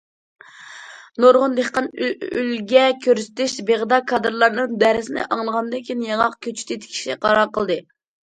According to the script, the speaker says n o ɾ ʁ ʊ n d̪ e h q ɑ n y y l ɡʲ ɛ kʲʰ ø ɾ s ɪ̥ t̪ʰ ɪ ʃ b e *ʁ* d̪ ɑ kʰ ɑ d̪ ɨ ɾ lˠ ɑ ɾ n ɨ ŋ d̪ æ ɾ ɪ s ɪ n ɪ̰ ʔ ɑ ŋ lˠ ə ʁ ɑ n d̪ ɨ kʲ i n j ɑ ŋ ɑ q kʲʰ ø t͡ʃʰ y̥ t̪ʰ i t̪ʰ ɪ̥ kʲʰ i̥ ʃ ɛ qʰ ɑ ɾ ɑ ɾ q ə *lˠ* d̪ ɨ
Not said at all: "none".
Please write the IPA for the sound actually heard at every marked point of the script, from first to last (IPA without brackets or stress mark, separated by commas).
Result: ʁ, lˠ